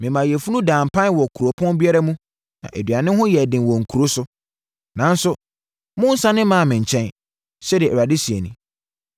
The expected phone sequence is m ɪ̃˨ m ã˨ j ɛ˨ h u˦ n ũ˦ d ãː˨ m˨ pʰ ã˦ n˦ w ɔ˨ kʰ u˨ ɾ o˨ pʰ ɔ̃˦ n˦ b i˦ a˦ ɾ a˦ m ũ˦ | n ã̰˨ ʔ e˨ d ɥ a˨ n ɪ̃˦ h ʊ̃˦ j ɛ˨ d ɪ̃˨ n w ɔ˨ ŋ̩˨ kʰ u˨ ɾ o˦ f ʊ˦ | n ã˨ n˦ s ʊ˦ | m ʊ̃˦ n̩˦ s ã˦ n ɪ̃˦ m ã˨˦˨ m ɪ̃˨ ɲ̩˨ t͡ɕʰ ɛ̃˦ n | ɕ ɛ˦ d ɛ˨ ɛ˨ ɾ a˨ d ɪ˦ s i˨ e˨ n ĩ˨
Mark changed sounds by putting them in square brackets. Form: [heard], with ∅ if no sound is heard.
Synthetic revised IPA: m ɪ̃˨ m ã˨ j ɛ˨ [f] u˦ n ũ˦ d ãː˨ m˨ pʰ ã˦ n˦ w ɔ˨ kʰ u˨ ɾ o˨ pʰ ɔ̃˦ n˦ b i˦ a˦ ɾ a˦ m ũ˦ | n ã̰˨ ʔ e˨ d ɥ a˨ n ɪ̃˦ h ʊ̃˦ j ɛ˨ d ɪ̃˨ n w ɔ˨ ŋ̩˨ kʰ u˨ ɾ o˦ [s] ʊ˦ | n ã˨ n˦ s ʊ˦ | m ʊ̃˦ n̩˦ s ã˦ n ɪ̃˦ m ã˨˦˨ m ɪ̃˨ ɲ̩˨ t͡ɕʰ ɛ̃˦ n | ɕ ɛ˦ d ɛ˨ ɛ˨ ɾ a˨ d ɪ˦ s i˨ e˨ n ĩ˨